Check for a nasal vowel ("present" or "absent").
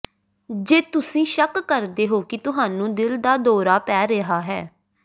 present